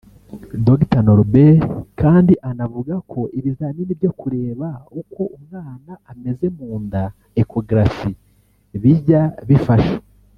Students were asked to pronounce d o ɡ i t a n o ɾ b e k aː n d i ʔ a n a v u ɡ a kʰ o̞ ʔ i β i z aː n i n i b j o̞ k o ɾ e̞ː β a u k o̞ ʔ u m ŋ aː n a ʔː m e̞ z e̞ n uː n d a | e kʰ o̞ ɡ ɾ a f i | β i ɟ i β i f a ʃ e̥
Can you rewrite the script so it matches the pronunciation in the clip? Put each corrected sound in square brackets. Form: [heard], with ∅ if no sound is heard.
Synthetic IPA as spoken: d o ɡ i t a n o ɾ b e k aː n d i ʔ a n a v u ɡ a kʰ o̞ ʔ i β i z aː n i n i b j o̞ k [u] ɾ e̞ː β a u k o̞ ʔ u m ŋ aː n a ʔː m e̞ z e̞ [m] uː n d a | e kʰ o̞ ɡ ɾ a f i | β i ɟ [a] β i f a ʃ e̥